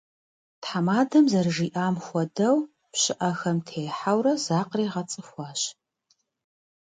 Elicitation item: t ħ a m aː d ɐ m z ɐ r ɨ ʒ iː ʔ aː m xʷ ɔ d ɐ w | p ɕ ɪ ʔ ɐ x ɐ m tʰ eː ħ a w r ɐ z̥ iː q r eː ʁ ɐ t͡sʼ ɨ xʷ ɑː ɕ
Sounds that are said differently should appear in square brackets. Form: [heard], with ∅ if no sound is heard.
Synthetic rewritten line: t ħ a m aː d ɐ m z ɐ r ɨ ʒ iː ʔ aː m xʷ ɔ d ɐ w | p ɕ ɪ ʔ ɐ x ɐ m tʰ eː ħ a w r ɐ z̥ [aː] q r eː ʁ ɐ t͡sʼ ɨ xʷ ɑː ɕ